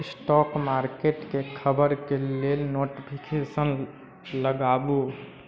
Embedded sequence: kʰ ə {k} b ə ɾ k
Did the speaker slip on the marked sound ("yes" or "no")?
yes